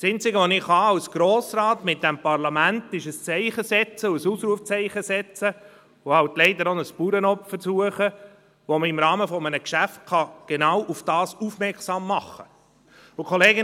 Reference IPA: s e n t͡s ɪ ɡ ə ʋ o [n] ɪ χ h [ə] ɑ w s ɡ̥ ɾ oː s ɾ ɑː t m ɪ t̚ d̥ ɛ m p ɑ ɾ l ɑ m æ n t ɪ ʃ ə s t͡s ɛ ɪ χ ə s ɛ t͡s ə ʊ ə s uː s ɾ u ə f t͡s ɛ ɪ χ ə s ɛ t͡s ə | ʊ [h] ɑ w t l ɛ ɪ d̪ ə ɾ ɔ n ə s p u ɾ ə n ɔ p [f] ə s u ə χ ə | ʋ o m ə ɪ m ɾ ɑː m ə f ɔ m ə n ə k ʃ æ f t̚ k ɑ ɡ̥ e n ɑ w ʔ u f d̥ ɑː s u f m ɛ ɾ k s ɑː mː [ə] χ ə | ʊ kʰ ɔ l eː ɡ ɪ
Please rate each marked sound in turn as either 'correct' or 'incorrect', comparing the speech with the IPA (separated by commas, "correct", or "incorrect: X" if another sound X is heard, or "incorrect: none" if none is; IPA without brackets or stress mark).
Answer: correct, incorrect: ɑ, correct, correct, incorrect: ɑ